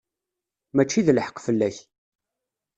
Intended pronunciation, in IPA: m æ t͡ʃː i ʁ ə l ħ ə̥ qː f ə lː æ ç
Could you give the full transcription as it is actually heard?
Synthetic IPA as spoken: m æ t͡ʃː i ð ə l ħ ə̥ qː f ə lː æ ç

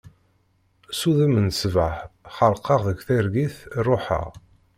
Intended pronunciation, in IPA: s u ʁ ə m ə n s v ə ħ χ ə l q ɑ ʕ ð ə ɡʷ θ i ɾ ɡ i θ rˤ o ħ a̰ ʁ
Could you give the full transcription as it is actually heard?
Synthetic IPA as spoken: s u ð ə m ə n s v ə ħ χ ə l q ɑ ʁ ð ə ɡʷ θ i ɾ ɡ i θ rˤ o ħ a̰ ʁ

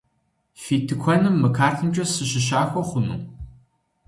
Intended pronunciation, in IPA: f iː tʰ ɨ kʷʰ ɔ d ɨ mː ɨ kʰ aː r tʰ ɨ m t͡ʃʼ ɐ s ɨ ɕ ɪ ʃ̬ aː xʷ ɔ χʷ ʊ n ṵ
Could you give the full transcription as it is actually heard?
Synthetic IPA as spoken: f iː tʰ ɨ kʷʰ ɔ n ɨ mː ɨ kʰ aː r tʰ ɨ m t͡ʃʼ ɐ s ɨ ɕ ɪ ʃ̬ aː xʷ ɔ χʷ ʊ n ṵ

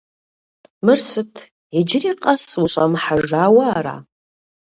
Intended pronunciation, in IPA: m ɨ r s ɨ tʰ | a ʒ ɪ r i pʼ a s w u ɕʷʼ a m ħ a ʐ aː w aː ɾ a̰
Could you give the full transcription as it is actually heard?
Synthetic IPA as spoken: m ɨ r s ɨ tʰ | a d͡ʒ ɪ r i qʼ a s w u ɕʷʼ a m ħ a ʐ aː w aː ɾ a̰

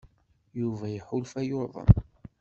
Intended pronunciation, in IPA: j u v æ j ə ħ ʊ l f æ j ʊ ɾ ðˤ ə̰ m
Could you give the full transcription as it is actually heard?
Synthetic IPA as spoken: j u v æ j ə ħ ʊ l f æ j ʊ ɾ ðˤ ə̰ m

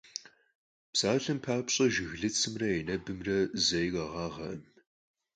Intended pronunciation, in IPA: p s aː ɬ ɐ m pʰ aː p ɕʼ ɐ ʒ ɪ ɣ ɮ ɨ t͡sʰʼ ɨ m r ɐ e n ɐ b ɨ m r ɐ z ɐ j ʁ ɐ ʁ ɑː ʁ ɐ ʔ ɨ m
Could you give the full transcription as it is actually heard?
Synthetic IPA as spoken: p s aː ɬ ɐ m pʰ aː p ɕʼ ɐ ʒ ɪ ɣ ɮ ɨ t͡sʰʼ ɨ m r ɐ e n ɐ b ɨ m r ɐ z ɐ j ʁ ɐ ʁ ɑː ʁ ɐ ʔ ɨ m

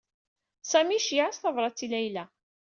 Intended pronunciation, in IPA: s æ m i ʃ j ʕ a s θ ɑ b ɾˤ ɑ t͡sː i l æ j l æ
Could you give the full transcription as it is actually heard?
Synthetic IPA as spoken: s æ m i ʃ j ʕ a s θ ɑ v ɾˤ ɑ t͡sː i l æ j l æ

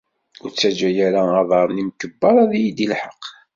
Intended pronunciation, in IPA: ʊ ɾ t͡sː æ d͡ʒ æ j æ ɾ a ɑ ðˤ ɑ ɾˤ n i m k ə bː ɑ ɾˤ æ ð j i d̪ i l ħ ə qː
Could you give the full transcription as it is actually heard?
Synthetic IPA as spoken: ʊ ɾ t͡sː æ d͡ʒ æ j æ ɾ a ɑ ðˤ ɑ ɾˤ n i m k ə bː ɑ ɾˤ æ ð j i d̪ i l ħ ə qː

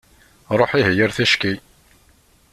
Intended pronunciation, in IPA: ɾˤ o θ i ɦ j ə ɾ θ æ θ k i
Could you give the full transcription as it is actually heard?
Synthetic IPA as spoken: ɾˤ o ħ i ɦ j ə ɾ θ æ ʃ k i

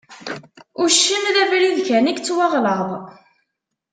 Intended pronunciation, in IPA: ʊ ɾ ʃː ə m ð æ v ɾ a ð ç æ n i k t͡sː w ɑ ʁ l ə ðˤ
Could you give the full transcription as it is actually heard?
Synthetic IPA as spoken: ʊ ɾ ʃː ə m ð æ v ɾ i ð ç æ n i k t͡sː w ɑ ʁ l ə ðˤ

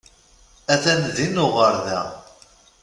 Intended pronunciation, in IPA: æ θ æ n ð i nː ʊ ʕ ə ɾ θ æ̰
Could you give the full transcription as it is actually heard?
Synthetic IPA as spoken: æ θ æ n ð i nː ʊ ʁ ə ɾ ð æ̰

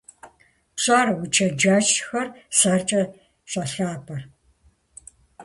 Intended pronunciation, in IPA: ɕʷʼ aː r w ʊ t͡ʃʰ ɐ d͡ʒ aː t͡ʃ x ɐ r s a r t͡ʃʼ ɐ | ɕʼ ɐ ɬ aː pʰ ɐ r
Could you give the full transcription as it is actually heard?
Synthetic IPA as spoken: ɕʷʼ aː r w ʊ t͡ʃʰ ɐ d͡ʒ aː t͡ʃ x ɐ r s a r t͡ʃʼ ɐ | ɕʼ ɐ ɬ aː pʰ ɐ r

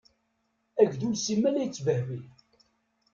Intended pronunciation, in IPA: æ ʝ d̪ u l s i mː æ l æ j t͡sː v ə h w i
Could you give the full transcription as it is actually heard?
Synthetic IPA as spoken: æ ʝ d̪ u l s i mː æ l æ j t͡sː v ə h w i

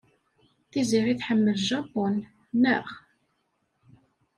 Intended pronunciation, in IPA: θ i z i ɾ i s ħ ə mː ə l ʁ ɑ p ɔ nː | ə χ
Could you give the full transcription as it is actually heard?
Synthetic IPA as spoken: θ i z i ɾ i θ ħ ə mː ə l ʒ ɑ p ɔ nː | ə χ

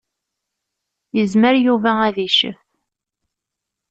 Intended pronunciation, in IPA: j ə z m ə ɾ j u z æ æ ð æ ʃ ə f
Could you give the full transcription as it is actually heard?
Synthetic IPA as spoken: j ə z m ə ɾ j u v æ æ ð i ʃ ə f

